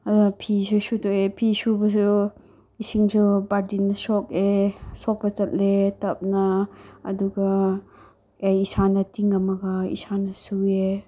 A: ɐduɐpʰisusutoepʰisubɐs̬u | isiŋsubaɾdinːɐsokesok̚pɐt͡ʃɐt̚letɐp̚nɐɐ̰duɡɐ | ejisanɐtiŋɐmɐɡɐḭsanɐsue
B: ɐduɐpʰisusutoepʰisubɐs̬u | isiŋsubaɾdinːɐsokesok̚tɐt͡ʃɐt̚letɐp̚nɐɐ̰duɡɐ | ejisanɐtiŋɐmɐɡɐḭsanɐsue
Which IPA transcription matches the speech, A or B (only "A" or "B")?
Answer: A